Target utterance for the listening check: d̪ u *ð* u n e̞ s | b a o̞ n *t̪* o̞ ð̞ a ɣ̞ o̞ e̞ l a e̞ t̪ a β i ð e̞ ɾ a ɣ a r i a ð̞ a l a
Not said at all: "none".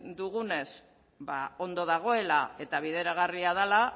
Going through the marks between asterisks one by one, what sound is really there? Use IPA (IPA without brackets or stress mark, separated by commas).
ɣ, d̪